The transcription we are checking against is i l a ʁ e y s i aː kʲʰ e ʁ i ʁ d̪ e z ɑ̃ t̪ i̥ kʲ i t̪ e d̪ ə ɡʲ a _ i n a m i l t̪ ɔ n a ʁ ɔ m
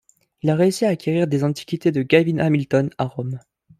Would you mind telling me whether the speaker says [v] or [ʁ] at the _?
v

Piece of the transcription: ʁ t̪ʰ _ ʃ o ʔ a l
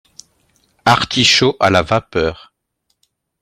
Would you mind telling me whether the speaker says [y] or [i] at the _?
i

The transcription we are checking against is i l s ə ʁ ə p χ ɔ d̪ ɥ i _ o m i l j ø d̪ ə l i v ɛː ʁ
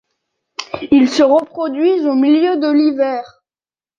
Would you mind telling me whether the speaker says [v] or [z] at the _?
z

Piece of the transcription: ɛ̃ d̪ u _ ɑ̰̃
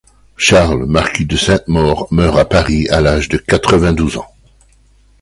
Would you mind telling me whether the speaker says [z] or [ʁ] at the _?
z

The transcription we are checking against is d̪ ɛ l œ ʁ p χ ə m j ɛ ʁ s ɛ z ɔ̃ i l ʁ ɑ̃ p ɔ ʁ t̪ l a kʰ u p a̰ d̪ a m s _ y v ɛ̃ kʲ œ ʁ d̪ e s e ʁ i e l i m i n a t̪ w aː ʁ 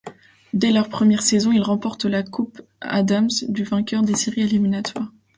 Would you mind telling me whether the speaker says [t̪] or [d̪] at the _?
d̪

